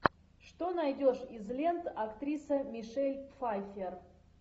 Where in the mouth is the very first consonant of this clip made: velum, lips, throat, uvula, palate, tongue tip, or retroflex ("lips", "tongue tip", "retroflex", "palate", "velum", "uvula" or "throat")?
retroflex